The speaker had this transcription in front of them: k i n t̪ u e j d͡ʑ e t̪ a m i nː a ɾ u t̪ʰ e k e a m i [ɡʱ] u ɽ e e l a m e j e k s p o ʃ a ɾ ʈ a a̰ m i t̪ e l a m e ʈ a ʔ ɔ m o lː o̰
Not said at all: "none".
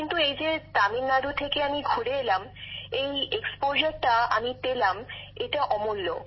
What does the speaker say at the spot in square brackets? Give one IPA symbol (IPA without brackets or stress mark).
ɡʱ